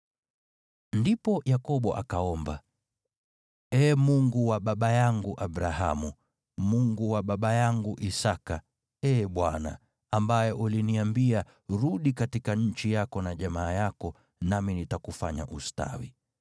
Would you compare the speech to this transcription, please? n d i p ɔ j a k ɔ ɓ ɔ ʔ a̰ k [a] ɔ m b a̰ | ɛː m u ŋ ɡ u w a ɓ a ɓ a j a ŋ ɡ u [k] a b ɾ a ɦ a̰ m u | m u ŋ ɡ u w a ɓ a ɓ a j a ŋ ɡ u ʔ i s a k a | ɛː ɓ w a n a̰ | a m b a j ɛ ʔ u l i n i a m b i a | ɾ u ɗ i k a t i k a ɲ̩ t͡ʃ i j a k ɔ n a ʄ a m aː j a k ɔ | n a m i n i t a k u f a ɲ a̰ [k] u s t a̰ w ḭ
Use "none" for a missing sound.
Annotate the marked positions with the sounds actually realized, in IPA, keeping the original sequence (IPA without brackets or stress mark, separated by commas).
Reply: a, ʔ, ʔ